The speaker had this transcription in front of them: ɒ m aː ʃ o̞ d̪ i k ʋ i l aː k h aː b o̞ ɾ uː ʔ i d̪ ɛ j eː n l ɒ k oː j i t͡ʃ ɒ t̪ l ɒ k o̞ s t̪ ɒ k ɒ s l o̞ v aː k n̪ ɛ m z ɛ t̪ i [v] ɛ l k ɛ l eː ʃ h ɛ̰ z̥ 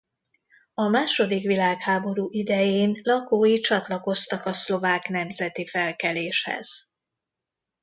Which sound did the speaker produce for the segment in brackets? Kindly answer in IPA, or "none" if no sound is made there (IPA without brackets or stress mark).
f